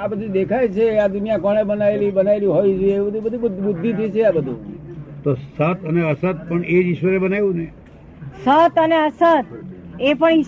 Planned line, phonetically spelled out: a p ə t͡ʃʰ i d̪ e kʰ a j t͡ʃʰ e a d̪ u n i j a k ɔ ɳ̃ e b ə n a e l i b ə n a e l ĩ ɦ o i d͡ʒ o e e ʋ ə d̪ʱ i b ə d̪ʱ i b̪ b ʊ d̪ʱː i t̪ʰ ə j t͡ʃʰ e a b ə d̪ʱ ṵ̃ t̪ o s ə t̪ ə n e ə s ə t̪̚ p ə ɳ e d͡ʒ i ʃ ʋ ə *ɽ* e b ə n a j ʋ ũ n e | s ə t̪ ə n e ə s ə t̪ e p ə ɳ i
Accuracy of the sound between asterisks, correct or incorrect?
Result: incorrect